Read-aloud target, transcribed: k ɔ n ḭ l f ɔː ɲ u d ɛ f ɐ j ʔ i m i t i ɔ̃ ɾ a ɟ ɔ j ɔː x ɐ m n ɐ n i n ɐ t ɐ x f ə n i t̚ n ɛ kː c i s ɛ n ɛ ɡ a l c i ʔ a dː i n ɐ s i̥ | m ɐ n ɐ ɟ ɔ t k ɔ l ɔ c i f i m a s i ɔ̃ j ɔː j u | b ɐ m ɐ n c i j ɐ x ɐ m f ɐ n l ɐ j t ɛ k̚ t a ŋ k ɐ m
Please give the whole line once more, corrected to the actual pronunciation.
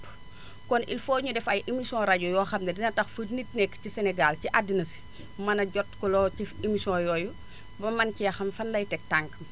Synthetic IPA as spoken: k ɔ n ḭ l f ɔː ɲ u d ɛ f ɐ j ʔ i m i s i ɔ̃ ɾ a ɟ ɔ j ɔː x ɐ m n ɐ d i n ɐ t ɐ x f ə n i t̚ n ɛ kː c i s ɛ n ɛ ɡ a l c i ʔ a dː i n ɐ s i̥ | m ɐ n ɐ ɟ ɔ t k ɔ l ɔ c i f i m i s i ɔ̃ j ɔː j u | b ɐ m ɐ n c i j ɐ x ɐ m f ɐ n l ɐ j t ɛ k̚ t a ŋ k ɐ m

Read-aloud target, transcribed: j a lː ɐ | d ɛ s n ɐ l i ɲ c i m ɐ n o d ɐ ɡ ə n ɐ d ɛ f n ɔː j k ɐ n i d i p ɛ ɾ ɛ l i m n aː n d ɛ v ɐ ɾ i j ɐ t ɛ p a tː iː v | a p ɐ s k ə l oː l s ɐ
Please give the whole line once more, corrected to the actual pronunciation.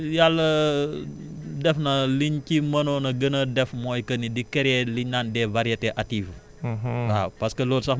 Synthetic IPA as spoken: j a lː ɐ | d ɛ f n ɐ l i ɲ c i m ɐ n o n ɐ ɡ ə n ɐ d ɛ f m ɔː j k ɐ n i d i k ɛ ɾ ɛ l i ɲ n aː n d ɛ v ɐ ɾ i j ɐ t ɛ ʔ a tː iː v | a p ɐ s k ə l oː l s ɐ

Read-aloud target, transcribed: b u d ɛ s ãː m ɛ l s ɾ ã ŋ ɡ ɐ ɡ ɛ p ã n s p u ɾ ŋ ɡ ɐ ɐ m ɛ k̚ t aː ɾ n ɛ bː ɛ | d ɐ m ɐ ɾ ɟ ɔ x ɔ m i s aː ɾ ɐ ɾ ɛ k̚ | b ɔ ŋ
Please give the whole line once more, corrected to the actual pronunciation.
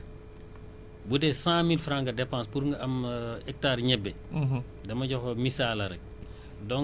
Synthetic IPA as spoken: b u d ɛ s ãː m i l f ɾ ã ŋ ɡ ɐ d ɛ p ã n s p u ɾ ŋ ɡ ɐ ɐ m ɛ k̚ t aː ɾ ɲ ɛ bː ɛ | d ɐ m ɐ ɟ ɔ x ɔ m i s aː l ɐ ɾ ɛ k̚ | d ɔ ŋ

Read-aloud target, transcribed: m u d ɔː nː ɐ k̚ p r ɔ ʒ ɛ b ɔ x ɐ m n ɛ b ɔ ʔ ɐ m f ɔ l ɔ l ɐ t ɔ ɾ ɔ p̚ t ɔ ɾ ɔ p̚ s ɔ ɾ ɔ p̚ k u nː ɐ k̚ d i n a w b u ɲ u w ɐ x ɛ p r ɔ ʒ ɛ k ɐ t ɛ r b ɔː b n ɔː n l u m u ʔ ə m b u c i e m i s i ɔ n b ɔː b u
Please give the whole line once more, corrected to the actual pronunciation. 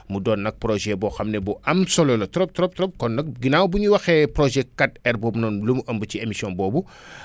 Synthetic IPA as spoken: m u d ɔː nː ɐ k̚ p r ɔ ʒ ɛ b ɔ x ɐ m n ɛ b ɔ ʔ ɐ m s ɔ l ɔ l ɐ t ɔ ɾ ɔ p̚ t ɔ ɾ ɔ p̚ t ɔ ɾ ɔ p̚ k ɔ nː ɐ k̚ ɡ i n a w b u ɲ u w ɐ x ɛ p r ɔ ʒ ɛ k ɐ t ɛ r b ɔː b n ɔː n l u m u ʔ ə m b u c i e m i s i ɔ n b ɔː b u

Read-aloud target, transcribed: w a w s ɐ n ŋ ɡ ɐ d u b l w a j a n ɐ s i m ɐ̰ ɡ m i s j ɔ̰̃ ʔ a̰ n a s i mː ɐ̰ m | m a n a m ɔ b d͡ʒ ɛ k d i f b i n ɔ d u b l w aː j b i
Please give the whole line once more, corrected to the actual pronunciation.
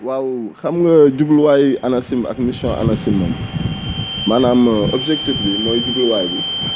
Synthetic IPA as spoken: w a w x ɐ m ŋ ɡ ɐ ɟ u b l w a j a n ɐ s i m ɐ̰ k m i s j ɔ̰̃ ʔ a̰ n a s i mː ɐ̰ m | m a n a m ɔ b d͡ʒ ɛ k t i f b i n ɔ ɟ u b l w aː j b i

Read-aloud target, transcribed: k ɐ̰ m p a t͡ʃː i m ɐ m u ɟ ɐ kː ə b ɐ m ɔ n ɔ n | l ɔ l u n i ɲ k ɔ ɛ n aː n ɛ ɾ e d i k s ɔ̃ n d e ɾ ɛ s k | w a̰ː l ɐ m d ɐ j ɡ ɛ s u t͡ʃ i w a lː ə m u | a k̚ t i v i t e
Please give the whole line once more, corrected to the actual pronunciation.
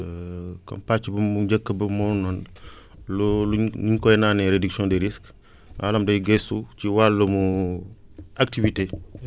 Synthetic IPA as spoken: k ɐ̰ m p a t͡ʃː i b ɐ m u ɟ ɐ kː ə b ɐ m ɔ n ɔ n | l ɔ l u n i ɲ k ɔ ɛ n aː n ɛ ɾ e d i k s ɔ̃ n d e ɾ i s k | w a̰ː l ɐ m d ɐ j ɡ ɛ s u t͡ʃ i w a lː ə m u | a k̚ t i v i t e

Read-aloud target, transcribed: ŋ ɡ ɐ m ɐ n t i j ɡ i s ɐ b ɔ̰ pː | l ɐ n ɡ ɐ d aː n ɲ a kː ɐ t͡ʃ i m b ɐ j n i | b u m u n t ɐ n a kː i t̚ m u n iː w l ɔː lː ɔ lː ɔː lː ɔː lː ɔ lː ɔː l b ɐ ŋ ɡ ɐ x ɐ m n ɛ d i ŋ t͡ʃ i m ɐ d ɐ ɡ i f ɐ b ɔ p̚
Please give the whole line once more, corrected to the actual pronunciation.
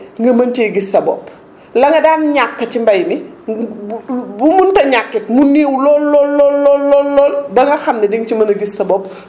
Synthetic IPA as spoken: ŋ ɡ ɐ m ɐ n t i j ɡ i s ɐ b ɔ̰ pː | l ɐ ŋ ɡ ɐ d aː n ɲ a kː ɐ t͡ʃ i m b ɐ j m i | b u m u n t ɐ ɲ a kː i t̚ m u n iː w l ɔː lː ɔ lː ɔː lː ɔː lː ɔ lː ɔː l b ɐ ŋ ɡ ɐ x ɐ m n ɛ d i ŋ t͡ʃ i m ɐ n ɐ ɡ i s ɐ b ɔ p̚

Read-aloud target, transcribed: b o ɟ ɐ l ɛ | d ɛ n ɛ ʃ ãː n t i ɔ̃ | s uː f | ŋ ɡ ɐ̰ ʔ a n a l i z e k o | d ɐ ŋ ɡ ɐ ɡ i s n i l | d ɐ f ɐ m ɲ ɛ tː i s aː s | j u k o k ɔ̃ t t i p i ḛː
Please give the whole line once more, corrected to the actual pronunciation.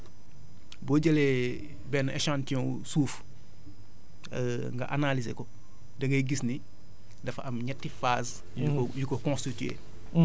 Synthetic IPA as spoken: b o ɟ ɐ l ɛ | b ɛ n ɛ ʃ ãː n t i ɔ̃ | s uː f | ŋ ɡ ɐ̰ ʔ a n a l i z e k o | d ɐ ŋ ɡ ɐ ɡ i s n i | d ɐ f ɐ m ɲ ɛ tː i f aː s | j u k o k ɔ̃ s t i t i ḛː

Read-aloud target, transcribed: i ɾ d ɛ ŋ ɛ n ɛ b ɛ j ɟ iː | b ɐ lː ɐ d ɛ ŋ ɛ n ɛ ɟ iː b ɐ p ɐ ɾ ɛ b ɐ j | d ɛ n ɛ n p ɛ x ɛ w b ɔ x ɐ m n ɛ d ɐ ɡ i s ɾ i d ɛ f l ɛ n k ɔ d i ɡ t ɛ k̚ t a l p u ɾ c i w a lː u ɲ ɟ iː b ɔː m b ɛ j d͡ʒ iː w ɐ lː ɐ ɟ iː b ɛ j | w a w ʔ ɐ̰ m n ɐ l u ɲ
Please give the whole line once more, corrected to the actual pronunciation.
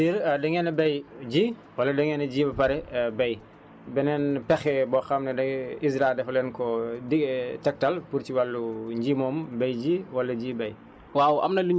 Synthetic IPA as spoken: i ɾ d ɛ ŋ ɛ n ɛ b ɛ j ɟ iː | w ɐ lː ɐ d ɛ ŋ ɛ n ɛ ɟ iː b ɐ p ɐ ɾ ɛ b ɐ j | b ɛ n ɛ n p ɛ x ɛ b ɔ x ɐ m n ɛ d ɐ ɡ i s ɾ a d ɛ f l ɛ n k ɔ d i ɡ t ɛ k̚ t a l p u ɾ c i w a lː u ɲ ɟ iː m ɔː m b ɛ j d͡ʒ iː w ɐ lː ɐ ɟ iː b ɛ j | w a w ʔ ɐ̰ m n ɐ l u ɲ

